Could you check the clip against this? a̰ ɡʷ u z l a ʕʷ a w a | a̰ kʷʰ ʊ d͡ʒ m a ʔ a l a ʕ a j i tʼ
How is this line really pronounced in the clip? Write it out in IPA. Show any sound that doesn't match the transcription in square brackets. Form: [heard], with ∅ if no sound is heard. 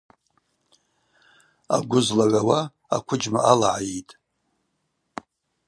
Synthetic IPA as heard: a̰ ɡʷ [ʊ] z l a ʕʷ a w a | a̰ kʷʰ ʊ d͡ʒ m a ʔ a l a ʕ a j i tʼ